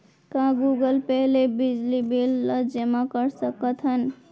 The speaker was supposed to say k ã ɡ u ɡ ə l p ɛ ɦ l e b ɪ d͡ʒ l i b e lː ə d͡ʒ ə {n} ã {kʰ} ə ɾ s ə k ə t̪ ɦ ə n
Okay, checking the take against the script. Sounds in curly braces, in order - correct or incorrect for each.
incorrect: m, incorrect: k

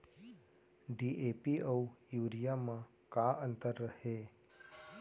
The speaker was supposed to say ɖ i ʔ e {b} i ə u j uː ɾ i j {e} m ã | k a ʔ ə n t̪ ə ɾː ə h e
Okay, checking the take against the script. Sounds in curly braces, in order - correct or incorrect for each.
incorrect: p, incorrect: a

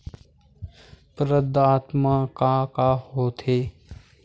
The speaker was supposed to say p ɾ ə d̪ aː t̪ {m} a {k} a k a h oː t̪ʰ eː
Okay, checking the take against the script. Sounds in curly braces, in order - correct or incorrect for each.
correct, correct

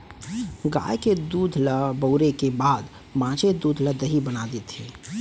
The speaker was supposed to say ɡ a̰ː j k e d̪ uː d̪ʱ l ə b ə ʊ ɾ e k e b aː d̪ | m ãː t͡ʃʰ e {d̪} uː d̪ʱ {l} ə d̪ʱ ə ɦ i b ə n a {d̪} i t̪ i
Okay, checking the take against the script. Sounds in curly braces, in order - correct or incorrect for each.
correct, correct, correct

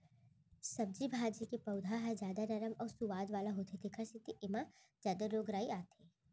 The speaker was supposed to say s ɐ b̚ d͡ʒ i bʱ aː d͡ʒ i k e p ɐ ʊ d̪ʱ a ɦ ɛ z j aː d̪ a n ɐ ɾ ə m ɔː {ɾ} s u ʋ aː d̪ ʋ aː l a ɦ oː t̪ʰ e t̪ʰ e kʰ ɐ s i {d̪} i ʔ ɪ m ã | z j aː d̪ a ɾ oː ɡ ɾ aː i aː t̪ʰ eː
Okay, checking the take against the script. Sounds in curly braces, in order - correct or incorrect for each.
correct, incorrect: t̪

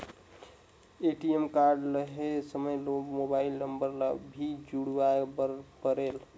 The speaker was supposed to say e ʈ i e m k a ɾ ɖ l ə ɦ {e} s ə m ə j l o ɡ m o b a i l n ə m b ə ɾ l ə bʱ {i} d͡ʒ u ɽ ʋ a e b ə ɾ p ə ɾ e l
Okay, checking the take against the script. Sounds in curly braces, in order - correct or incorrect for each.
correct, correct

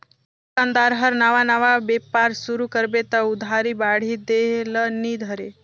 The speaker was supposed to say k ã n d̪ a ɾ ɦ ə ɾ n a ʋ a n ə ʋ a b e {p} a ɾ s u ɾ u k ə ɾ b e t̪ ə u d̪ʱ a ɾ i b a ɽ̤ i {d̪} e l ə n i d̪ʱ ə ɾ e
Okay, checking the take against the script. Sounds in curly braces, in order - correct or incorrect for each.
correct, correct

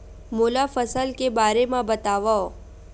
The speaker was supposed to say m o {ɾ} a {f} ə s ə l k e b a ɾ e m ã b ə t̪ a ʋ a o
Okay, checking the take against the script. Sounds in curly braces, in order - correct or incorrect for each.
incorrect: l, correct

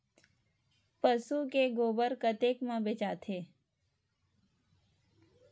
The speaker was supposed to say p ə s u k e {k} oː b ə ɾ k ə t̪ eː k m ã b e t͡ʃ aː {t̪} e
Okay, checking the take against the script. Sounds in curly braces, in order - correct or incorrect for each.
incorrect: ɡ, incorrect: t̪ʰ

